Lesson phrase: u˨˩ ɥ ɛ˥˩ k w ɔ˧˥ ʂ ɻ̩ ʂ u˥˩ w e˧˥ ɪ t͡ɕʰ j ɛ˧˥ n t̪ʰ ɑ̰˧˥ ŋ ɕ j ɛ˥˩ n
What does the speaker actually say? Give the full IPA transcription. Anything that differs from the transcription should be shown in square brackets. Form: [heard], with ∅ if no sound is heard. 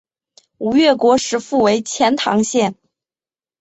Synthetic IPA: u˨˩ ɥ ɛ˥˩ k w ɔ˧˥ ʂ ɻ̩ [f] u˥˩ w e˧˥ ɪ t͡ɕʰ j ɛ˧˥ n t̪ʰ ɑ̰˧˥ ŋ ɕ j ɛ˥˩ n